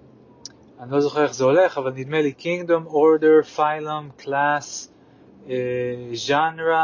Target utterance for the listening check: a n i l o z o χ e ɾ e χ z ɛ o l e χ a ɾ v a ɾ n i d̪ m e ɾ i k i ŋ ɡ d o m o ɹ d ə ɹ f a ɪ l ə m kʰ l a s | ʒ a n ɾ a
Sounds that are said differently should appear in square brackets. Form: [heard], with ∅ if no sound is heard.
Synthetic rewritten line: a n i l o z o χ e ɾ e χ z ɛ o l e χ a [∅] v a [l] n i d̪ m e [l] i k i ŋ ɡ d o m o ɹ d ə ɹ f a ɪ l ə m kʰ l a s | ʒ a n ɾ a